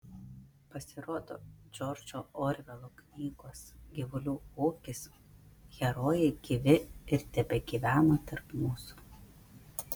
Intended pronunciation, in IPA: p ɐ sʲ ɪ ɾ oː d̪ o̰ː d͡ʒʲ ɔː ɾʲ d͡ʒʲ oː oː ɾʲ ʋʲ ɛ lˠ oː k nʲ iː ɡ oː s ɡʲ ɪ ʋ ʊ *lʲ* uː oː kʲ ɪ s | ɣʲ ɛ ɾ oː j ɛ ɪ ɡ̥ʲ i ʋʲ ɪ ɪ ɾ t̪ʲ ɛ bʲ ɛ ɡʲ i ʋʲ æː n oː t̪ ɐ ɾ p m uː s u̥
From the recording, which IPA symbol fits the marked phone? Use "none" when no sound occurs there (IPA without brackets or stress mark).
lʲ